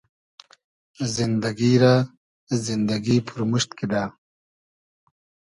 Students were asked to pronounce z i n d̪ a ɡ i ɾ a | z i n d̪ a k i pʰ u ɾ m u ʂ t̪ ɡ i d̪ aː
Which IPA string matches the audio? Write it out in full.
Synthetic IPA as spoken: z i n d̪ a ɡ i ɾ a | z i n d̪ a ɡ i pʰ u ɾ m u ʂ t̪ k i d̪ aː

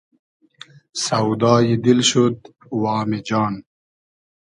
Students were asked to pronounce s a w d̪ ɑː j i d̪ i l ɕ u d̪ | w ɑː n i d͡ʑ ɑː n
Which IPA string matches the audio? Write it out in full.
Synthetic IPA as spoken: s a w d̪ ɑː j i d̪ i l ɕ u d̪ | w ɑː m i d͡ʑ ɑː n

